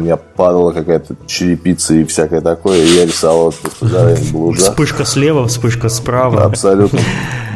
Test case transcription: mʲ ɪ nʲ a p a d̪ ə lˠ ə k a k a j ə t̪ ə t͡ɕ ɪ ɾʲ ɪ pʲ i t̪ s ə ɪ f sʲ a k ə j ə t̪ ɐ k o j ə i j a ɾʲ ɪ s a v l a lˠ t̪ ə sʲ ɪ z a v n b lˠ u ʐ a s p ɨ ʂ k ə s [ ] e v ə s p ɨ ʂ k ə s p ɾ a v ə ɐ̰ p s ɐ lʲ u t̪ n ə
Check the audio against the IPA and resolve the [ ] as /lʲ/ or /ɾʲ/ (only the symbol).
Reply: lʲ